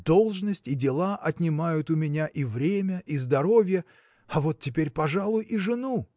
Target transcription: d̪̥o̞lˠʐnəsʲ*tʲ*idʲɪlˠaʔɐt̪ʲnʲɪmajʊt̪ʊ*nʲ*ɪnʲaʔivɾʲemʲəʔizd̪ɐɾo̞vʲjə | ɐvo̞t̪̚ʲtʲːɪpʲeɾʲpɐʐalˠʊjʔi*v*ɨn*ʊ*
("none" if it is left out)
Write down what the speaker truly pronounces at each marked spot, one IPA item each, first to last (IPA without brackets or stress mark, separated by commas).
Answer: tʲ, mʲ, ʐ, u